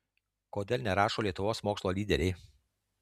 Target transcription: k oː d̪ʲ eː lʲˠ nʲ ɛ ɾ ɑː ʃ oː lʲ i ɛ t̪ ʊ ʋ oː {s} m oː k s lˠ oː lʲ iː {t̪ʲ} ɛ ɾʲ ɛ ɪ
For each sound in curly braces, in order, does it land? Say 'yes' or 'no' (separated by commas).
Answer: yes, no